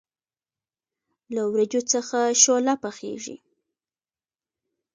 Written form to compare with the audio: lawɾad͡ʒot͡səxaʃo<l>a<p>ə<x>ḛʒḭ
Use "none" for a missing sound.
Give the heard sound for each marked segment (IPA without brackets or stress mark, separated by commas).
l, p, x